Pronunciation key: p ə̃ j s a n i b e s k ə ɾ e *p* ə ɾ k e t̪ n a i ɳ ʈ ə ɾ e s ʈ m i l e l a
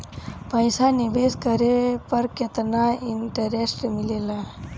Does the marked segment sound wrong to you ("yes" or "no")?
no